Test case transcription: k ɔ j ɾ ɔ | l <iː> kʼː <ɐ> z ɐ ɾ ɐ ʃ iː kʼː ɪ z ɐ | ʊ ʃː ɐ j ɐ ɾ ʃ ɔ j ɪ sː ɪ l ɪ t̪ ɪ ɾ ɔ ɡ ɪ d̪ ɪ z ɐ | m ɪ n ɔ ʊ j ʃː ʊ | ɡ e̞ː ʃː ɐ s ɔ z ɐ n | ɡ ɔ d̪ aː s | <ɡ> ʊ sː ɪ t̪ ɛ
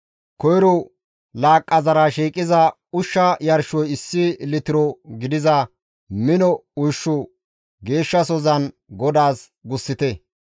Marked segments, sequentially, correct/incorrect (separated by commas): incorrect, correct, correct